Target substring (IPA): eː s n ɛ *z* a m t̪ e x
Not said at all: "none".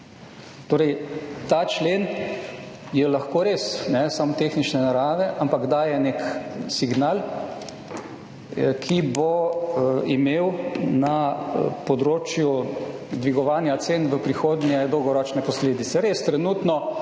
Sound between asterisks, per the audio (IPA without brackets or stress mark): s